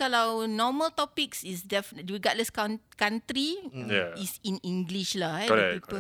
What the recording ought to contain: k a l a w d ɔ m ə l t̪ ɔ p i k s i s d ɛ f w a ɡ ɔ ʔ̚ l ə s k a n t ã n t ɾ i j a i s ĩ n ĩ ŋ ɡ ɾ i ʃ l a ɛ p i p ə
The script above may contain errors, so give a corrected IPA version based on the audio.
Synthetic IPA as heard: k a l a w n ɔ m ə l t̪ ɔ p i k s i s d ɛ f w i ɡ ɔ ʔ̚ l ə s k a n k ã n t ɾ i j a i s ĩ n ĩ ŋ ɡ l i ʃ l a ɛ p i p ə